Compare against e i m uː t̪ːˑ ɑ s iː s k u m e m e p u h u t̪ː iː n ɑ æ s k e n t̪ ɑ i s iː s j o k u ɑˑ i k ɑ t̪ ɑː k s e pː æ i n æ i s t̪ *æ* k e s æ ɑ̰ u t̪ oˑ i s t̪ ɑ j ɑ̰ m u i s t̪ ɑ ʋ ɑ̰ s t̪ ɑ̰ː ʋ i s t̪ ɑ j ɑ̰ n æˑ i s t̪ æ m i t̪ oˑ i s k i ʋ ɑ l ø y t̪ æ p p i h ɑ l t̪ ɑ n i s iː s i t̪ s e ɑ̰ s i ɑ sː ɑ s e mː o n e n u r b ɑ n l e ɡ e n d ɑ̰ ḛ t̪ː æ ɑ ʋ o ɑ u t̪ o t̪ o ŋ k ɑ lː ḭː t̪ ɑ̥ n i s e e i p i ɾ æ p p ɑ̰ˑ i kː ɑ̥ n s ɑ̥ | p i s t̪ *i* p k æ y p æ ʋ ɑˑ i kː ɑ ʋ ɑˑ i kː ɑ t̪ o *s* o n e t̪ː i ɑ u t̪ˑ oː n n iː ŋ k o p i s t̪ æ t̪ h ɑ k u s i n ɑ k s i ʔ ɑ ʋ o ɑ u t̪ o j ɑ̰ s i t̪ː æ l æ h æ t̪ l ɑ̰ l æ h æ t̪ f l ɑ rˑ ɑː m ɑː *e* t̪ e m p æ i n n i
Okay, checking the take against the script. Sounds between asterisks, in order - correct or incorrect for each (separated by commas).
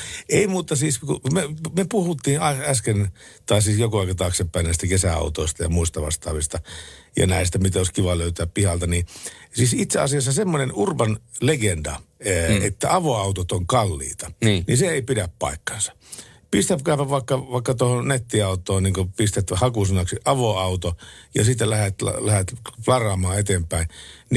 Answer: correct, incorrect, incorrect, correct